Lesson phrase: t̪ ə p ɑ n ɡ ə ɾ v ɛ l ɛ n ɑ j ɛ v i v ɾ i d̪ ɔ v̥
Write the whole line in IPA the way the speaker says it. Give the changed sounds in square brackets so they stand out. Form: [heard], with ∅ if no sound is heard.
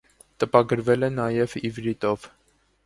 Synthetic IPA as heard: t̪ ə p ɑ [∅] ɡ ə ɾ v ɛ l ɛ n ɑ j ɛ v i v ɾ i [t̪] ɔ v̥